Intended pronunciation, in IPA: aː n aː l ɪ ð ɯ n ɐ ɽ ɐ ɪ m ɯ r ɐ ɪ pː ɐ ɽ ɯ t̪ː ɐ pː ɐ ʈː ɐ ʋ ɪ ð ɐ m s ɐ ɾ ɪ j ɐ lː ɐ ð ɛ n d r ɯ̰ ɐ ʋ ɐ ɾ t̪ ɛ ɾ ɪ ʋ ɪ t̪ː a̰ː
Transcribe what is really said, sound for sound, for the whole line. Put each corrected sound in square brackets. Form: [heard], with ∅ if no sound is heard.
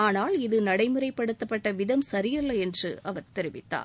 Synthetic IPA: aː n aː l ɪ ð ɯ n ɐ ɽ ɐ ɪ m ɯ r ɐ ɪ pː ɐ ɽ ɯ t̪ː ɐ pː ɐ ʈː ɐ ʋ ɪ ð ɐ m s ɐ ɾ ɪ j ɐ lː ɐ [∅] ɛ n d r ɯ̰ ɐ ʋ ɐ ɾ t̪ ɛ ɾ ɪ ʋ ɪ t̪ː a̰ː